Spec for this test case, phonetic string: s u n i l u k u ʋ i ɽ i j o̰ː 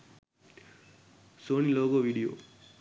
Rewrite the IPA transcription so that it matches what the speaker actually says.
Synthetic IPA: s o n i l o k o ʋ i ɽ i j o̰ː